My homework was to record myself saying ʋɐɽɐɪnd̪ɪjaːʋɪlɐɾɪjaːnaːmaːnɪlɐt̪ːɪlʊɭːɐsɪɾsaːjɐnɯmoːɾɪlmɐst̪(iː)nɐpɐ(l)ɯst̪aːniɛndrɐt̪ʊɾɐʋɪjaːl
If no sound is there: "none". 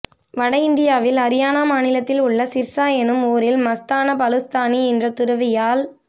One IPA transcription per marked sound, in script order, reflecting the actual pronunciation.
aː, l

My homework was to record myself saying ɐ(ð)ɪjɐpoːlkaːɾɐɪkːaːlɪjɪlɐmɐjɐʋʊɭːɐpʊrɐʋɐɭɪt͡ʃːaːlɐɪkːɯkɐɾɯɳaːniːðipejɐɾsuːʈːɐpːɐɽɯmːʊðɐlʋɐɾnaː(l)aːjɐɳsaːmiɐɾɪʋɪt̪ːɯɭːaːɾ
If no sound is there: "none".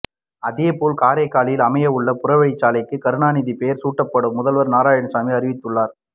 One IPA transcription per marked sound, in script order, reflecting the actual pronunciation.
ð, ɾ

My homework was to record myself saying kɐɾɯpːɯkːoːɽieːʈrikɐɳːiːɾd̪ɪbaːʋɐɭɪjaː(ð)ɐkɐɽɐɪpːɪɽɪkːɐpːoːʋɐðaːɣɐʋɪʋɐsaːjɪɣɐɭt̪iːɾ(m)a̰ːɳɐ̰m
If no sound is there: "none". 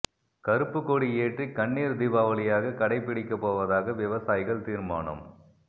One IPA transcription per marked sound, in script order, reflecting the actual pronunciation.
ɣ, m

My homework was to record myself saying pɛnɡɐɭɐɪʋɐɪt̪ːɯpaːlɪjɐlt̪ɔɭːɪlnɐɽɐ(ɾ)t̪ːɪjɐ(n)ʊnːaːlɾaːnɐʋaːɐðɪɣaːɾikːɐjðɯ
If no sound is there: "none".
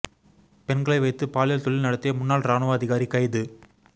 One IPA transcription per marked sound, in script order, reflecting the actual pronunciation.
none, m

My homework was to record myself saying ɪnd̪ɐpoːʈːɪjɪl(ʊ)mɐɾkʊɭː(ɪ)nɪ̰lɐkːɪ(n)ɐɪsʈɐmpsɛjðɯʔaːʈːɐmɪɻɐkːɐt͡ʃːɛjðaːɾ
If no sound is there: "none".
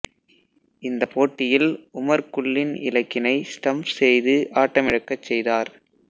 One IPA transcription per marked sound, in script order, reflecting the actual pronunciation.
ʊ, ɪ, n

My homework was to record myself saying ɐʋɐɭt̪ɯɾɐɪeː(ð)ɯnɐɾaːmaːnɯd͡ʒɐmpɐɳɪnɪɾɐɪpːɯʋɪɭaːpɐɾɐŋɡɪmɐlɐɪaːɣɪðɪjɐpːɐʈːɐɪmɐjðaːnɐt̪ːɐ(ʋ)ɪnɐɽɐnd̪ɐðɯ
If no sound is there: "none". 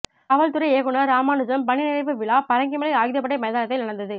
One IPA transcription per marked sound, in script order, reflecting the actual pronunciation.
ɣ, none

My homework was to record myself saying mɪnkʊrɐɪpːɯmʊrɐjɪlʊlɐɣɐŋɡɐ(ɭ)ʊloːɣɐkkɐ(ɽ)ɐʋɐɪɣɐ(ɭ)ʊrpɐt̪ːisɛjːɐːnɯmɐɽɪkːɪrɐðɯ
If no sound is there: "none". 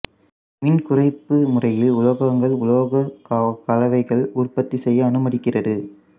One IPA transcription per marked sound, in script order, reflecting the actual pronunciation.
ɭ, l, ɭ

